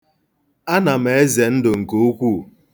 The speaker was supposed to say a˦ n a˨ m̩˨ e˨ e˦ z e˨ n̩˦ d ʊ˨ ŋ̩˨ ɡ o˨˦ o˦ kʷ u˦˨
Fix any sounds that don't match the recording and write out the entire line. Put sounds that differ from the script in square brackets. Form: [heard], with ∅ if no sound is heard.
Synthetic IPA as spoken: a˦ n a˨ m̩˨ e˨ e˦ z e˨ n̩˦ d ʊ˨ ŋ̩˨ [k] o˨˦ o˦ kʷ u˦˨

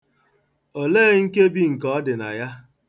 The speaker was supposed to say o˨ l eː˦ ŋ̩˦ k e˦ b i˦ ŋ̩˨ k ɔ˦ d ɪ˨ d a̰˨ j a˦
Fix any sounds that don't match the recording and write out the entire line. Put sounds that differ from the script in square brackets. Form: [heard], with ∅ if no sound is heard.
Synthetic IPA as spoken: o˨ l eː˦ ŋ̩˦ k e˦ b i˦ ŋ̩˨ k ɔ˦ d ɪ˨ [n] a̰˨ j a˦

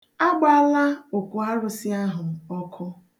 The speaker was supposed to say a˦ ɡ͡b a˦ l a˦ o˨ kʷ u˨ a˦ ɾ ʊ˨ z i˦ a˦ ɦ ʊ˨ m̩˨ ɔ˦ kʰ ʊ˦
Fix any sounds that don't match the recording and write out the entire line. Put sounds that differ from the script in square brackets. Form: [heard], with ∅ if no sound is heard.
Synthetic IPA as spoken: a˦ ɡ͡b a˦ l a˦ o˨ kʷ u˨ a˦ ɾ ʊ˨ [s] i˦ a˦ ɦ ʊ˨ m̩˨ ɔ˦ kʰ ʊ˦

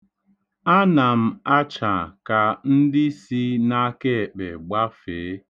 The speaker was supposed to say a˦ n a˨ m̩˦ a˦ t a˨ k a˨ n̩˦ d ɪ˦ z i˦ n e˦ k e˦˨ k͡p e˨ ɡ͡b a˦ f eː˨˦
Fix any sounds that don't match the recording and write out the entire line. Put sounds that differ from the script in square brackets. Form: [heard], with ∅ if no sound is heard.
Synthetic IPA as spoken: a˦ n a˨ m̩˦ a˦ [t͡ʃ] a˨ k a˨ n̩˦ d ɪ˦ [s] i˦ n [a˦] k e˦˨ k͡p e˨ ɡ͡b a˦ f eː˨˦

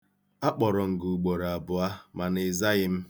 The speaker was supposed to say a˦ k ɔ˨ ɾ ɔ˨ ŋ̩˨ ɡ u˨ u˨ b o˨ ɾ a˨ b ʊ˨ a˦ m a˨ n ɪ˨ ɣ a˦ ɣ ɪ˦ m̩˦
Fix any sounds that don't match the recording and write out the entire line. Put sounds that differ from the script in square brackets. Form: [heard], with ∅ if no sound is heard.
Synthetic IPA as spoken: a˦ [k͡p] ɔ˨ ɾ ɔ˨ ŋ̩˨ ɡ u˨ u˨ [ɡ͡b] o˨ ɾ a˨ b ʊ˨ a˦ m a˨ n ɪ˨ [z] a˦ ɣ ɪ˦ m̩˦

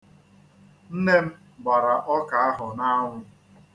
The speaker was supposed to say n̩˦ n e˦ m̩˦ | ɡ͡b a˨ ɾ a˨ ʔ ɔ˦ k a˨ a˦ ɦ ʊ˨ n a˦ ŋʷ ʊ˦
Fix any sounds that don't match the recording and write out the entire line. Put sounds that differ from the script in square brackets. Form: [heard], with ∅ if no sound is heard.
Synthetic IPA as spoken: n̩˦ n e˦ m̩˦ | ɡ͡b a˨ ɾ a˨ ʔ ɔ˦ k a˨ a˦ ɦ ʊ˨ n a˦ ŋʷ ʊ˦

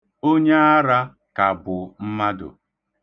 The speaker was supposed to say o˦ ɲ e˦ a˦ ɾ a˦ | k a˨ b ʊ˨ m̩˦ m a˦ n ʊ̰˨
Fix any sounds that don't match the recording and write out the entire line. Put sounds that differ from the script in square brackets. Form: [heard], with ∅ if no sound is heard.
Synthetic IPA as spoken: o˦ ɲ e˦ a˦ ɾ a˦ | k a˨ b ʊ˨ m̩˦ m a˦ [d] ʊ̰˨

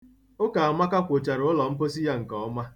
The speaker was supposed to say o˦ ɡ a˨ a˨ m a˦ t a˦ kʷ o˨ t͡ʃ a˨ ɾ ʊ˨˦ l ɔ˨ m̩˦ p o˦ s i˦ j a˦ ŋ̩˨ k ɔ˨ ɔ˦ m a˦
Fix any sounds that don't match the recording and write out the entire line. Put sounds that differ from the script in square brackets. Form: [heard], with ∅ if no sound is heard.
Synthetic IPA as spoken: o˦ [k] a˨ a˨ m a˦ [k] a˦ kʷ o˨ t͡ʃ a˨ ɾ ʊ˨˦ l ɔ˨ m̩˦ p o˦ s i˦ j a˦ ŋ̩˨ k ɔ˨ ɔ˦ m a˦

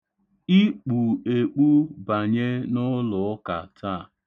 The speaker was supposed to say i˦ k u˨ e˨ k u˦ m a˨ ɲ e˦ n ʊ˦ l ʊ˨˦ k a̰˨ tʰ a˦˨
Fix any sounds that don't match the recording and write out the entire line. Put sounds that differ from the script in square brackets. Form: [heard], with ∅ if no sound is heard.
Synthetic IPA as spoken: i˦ [k͡p] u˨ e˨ [k͡p] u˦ [b] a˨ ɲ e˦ n ʊ˦ l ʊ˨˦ k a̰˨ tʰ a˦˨

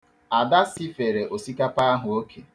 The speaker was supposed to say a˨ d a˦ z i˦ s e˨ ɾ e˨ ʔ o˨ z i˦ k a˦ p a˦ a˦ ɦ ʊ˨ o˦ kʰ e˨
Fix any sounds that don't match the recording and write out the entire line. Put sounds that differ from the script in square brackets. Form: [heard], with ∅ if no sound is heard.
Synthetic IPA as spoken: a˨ d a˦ [s] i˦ [f] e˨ ɾ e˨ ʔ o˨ [s] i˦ k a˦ p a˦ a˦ ɦ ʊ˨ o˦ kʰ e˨

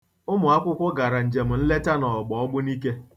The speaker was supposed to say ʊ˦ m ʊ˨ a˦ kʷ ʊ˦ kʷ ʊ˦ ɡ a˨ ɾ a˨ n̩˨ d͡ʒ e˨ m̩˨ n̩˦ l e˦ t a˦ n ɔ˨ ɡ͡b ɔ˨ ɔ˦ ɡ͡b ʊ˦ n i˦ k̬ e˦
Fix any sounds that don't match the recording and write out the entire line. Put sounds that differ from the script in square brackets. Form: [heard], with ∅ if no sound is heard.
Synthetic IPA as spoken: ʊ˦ m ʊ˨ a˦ kʷ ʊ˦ kʷ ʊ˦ ɡ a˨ ɾ a˨ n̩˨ d͡ʒ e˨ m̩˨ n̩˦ l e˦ t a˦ n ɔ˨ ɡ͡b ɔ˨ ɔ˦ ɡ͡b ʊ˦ n i˦ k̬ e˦

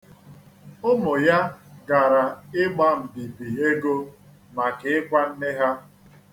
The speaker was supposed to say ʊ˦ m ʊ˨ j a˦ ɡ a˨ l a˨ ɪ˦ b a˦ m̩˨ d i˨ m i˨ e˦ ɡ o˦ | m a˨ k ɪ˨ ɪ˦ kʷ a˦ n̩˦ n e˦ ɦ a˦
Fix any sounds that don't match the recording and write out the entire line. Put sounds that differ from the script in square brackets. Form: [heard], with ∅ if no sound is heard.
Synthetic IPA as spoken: ʊ˦ m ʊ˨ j a˦ ɡ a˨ [ɾ] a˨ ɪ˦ [ɡ͡b] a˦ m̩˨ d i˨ [b] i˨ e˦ ɡ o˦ | m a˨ k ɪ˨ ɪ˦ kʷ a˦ n̩˦ n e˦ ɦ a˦

